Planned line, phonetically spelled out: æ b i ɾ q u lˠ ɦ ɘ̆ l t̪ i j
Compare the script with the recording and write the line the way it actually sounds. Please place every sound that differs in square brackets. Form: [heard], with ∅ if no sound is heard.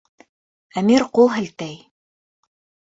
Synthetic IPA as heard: æ [m] i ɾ q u lˠ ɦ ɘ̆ l t̪ [æ] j